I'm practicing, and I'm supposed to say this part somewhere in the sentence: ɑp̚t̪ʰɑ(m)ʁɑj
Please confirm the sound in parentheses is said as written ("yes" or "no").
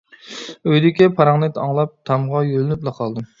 yes